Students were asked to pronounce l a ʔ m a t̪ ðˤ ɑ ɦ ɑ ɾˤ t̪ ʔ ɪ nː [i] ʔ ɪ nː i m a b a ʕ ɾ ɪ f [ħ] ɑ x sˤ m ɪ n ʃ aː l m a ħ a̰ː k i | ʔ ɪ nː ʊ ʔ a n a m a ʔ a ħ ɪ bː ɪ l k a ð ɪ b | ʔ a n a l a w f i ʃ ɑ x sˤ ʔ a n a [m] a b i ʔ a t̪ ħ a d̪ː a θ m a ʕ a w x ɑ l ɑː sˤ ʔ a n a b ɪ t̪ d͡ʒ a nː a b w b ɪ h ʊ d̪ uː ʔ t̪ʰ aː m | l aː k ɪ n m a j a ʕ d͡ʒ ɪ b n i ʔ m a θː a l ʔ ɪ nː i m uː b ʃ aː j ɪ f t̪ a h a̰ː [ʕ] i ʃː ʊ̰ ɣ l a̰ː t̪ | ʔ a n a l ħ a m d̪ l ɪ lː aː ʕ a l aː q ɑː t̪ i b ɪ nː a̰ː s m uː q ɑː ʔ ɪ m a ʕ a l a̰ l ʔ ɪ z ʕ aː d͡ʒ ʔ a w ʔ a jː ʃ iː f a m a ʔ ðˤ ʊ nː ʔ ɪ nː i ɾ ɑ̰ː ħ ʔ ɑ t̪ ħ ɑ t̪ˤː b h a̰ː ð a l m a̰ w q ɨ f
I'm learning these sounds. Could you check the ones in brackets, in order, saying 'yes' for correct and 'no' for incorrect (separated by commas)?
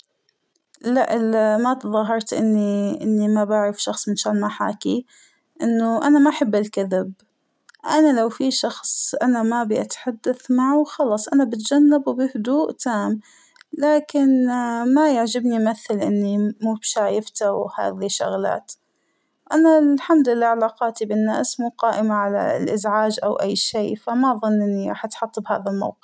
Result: yes, no, yes, no